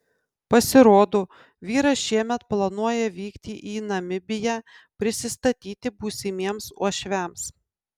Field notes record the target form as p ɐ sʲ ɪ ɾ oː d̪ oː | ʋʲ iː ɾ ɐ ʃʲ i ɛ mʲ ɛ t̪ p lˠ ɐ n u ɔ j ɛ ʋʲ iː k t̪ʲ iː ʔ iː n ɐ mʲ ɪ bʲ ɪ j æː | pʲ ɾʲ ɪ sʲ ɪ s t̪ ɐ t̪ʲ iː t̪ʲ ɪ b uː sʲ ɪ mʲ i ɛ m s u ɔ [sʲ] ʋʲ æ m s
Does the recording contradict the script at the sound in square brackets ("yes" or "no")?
yes